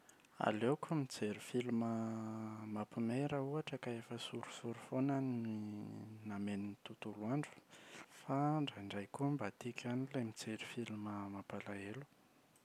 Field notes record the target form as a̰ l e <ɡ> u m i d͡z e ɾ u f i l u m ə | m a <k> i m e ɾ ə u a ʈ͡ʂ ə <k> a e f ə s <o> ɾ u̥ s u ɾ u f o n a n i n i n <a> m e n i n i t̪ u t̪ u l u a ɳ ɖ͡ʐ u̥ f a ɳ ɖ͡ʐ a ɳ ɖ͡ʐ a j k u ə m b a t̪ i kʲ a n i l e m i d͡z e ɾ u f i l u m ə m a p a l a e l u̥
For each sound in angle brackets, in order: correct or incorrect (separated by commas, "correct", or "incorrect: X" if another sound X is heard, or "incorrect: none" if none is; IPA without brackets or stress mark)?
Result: incorrect: k, incorrect: p, correct, incorrect: u, correct